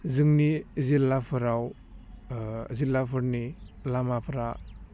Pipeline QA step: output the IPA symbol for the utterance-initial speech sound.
z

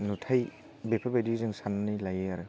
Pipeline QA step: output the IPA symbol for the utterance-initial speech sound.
n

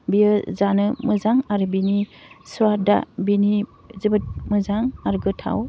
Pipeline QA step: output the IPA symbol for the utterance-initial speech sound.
b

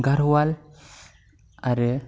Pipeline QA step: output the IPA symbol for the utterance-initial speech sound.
ɡ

